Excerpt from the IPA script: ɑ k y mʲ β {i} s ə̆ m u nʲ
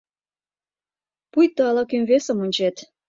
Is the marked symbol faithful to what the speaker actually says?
no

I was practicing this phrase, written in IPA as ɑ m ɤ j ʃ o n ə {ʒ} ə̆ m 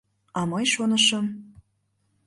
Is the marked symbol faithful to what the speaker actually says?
no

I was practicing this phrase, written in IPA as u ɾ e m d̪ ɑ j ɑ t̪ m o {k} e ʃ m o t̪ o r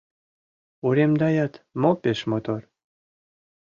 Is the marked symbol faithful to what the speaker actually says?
no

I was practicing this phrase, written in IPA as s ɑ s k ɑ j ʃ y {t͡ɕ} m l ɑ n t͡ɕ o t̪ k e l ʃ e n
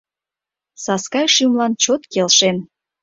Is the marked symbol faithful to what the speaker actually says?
no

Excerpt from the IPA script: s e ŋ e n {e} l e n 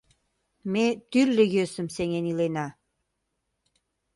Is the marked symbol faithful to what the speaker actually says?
no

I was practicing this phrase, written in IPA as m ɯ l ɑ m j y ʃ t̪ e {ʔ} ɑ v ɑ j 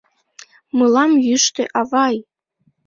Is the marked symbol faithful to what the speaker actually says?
yes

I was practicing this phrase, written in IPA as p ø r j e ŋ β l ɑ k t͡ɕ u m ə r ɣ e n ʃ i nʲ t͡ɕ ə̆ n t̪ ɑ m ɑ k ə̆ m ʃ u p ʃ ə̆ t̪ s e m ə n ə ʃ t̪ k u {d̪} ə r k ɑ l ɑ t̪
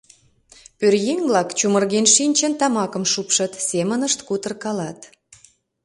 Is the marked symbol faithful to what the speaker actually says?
no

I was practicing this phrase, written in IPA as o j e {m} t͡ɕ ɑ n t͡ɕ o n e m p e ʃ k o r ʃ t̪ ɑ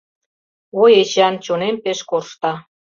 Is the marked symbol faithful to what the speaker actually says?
no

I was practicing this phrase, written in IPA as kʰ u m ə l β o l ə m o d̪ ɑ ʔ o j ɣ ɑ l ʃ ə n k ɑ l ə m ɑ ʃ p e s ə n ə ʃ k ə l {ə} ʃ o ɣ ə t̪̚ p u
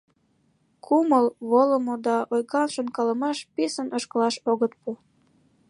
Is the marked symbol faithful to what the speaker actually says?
no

